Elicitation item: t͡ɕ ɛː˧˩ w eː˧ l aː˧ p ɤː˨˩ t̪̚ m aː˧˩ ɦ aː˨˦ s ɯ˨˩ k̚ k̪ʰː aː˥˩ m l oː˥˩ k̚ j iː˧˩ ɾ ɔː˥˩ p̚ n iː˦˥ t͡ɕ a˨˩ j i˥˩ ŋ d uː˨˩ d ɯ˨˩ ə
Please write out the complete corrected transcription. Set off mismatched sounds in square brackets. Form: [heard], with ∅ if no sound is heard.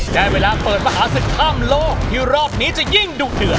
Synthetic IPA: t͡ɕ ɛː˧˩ w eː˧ l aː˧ p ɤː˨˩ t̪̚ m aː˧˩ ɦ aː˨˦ s ɯ˨˩ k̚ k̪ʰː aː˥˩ m l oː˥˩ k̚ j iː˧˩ ɾ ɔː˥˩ p̚ n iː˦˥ t͡ɕ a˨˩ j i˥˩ ŋ d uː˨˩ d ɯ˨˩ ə